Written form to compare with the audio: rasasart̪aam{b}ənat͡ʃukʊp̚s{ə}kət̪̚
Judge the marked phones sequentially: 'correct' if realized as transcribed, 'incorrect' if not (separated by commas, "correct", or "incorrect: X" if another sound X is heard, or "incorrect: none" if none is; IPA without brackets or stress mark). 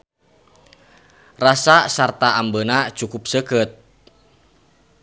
correct, correct